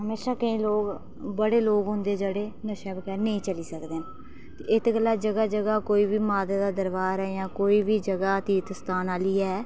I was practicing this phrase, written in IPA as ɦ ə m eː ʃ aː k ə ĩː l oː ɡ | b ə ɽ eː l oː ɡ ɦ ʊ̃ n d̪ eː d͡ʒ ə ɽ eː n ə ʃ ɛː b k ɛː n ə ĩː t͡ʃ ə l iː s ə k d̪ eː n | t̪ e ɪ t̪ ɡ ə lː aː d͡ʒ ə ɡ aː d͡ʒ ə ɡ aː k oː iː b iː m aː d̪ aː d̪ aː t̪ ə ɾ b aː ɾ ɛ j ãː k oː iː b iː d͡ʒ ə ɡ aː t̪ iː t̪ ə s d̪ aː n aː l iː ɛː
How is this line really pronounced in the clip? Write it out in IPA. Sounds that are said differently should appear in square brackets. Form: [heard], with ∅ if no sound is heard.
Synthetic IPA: ɦ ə m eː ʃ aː k ə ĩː l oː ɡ | b ə ɽ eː l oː ɡ ɦ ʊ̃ n d̪ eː d͡ʒ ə ɽ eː n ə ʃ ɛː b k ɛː n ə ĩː t͡ʃ ə l iː s ə k d̪ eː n | t̪ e ɪ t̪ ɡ ə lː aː d͡ʒ ə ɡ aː d͡ʒ ə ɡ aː k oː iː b iː m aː d̪ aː d̪ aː [d̪] ə ɾ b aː ɾ ɛ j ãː k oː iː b iː d͡ʒ ə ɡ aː t̪ iː t̪ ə s [t̪] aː n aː l iː ɛː